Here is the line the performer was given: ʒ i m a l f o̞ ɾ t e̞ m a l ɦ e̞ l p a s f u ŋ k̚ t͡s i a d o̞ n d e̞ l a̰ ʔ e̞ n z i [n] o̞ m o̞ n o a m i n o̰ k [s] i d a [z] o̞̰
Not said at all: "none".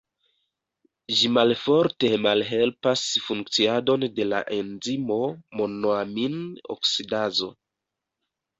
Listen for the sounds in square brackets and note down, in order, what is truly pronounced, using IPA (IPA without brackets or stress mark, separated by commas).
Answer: m, s, z